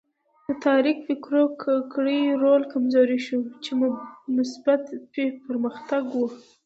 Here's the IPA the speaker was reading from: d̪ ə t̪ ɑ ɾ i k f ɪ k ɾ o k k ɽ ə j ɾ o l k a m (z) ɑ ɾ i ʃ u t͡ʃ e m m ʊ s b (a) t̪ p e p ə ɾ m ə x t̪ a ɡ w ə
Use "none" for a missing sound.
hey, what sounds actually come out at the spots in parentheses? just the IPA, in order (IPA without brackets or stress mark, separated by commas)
z, a